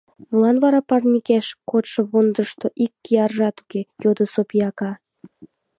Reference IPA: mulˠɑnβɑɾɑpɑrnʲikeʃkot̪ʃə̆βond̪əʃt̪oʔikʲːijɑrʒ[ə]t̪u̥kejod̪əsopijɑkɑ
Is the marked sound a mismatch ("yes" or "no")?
yes